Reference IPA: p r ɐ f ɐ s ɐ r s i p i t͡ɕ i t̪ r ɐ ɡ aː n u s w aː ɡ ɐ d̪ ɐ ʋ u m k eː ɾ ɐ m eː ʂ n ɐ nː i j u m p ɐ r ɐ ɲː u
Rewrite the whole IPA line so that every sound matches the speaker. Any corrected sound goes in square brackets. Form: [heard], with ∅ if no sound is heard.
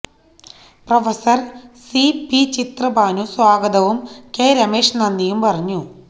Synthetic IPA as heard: p r ɐ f ɐ s ɐ r s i p i t͡ɕ i t̪ r ɐ [b] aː n u s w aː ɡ ɐ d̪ ɐ ʋ u m k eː ɾ ɐ m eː ʂ n ɐ nː i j u m p ɐ r ɐ ɲː u